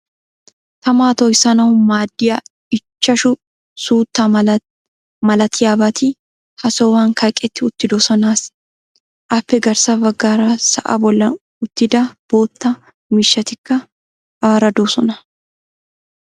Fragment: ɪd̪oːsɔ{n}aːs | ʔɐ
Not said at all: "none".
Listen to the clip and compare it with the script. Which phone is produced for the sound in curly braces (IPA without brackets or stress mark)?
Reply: n